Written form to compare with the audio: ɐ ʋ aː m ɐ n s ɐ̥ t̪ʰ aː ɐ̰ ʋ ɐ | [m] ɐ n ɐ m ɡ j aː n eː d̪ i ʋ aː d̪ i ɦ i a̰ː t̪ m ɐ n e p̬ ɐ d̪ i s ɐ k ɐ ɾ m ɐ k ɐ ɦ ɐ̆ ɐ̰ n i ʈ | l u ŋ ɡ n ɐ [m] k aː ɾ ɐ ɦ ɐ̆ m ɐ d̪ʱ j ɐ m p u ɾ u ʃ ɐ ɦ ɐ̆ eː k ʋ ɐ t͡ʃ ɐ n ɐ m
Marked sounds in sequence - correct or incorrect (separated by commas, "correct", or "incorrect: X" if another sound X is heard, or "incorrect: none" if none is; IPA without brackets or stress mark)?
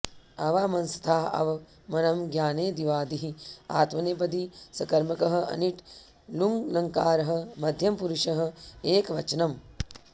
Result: correct, incorrect: ŋ